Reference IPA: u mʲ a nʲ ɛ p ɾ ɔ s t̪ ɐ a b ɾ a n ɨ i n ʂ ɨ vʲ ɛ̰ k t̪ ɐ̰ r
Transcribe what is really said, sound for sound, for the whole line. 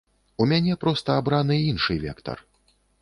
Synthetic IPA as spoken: u mʲ a nʲ ɛ p ɾ ɔ s t̪ ɐ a b ɾ a n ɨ i n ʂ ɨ vʲ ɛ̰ k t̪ ɐ̰ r